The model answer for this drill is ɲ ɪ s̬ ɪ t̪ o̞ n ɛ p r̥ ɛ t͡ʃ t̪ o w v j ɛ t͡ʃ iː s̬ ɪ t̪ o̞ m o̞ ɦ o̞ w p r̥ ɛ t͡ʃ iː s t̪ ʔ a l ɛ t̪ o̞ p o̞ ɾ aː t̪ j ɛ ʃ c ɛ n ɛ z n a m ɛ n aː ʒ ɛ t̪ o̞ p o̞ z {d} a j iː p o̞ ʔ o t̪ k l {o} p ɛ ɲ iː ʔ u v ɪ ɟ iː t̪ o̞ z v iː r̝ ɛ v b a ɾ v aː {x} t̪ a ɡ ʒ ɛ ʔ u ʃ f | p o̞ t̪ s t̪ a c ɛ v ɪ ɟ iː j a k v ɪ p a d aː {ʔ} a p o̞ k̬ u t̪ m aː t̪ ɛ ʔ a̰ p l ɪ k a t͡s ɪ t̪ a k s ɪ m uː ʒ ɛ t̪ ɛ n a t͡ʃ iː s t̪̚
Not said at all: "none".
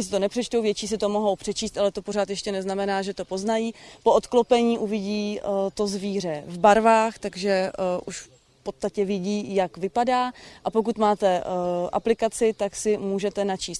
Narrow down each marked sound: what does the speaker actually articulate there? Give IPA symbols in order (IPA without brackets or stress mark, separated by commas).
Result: n, o, x, ʔ